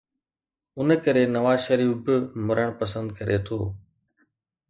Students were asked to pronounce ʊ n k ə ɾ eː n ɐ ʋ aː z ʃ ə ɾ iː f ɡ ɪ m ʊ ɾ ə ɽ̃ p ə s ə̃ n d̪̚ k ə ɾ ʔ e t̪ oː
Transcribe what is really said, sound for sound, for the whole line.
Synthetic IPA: ʊ n k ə ɾ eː n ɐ ʋ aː z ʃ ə ɾ iː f b ɪ m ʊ ɾ ə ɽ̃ p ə s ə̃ n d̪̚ k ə ɾ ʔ e t̪ʰ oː